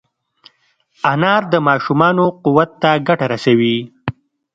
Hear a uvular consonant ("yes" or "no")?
yes